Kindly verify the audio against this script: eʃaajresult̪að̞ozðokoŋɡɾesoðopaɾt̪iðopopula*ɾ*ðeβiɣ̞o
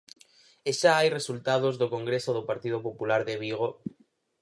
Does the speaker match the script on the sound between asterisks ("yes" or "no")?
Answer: yes